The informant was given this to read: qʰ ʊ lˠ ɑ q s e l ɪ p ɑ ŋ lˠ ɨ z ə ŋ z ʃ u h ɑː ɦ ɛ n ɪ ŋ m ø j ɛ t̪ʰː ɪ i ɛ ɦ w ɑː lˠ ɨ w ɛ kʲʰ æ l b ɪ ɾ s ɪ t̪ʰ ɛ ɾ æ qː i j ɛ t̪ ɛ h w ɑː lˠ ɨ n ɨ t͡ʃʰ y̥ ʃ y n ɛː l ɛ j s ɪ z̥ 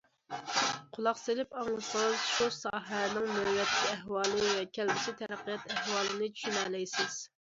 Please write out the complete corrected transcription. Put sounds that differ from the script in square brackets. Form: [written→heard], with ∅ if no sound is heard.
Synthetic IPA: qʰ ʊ lˠ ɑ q s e l ɪ p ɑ ŋ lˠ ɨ [z→s] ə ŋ z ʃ u [h→s] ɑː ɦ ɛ n ɪ ŋ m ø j ɛ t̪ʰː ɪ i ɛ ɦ w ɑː lˠ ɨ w ɛ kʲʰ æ l b ɪ [ɾ→∅] s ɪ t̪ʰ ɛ ɾ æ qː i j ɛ t̪ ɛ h w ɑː lˠ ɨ n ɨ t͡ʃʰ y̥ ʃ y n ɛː l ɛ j s ɪ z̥